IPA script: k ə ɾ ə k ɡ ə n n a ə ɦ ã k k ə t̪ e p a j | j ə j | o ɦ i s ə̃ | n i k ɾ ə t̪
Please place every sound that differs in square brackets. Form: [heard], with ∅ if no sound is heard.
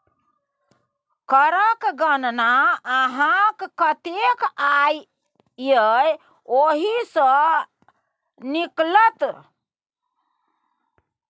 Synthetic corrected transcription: k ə ɾ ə k ɡ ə n n a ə ɦ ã k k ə t̪ e [k] a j | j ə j | o ɦ i s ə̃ | n i k [l] ə t̪